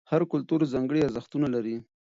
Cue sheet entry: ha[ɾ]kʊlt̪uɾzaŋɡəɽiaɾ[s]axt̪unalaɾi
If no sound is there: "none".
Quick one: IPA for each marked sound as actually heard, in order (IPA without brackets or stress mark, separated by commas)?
ɾ, z